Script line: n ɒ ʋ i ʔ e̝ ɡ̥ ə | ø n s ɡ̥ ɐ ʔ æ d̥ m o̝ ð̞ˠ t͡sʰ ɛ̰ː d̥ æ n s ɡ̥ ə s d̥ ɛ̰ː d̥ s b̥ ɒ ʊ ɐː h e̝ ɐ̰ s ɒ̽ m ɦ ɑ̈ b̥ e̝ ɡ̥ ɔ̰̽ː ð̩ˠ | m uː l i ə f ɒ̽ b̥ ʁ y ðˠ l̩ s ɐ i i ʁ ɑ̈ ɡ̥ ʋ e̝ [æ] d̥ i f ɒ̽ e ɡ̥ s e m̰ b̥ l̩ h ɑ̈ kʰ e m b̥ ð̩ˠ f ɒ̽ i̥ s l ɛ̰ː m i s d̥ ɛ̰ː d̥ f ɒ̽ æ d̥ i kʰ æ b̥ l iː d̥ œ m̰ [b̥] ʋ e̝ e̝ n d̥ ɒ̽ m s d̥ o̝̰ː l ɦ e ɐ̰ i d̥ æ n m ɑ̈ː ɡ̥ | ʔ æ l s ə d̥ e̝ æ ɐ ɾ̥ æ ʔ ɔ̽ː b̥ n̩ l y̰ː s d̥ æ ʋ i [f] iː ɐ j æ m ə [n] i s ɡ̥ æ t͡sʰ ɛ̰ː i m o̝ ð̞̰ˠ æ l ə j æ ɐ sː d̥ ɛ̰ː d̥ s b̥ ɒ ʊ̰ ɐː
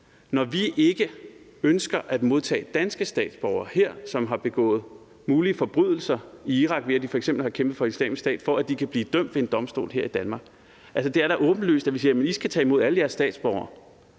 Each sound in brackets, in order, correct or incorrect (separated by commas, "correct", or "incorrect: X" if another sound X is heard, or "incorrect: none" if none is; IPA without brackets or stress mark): correct, incorrect: d̥, incorrect: s, correct